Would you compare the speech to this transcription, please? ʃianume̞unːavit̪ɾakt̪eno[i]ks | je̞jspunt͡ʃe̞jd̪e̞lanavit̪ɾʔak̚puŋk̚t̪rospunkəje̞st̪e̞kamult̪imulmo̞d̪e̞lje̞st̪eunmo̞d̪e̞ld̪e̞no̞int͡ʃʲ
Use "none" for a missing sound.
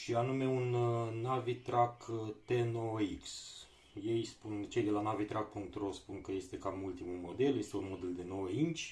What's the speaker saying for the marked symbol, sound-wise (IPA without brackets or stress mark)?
i